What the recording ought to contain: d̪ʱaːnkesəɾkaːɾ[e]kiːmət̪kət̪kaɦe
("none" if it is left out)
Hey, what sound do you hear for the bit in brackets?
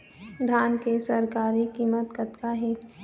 i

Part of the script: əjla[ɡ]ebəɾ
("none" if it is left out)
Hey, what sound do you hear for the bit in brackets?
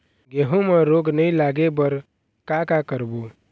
ɡ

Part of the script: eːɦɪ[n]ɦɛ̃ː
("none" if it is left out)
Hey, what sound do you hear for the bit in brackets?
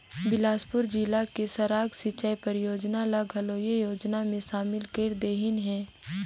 n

